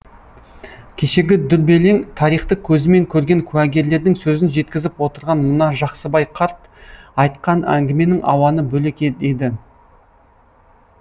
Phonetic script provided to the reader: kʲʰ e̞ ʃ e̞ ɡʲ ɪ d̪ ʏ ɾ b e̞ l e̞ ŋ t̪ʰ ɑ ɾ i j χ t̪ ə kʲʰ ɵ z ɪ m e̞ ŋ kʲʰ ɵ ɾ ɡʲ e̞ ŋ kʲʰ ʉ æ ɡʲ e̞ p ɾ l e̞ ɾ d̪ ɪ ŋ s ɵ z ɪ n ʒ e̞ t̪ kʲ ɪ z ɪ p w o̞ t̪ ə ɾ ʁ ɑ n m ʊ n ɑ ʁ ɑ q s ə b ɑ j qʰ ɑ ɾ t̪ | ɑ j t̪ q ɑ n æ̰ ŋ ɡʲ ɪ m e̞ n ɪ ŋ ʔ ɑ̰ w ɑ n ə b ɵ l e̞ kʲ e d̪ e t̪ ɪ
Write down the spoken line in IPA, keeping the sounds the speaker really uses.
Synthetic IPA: kʲʰ e̞ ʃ e̞ ɡʲ ɪ d̪ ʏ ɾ b e̞ l e̞ ŋ t̪ʰ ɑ ɾ i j χ t̪ ə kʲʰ ɵ z ɪ m e̞ ŋ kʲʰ ɵ ɾ ɡʲ e̞ ŋ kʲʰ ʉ æ ɡʲ e̞ ɾ l e̞ ɾ d̪ ɪ ŋ s ɵ z ɪ n ʒ e̞ t̪ kʲ ɪ z ɪ p w o̞ t̪ ə ɾ ʁ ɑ n m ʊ n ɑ ʒ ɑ q s ə b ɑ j qʰ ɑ ɾ t̪ | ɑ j t̪ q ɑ n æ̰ ŋ ɡʲ ɪ m e̞ n ɪ ŋ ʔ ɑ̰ w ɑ n ə b ɵ l e̞ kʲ e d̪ e d̪ ɪ